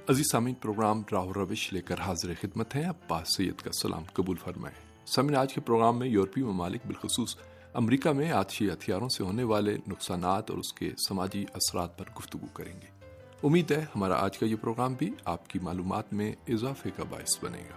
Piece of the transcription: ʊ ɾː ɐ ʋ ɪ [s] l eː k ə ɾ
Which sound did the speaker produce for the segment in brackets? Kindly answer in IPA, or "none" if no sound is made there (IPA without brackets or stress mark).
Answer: ʃ